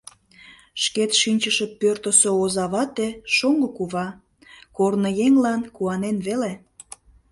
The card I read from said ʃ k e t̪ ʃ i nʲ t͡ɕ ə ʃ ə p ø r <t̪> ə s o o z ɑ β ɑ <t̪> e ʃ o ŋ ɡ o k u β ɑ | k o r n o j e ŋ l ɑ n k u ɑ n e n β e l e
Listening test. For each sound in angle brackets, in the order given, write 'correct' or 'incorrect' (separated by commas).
correct, correct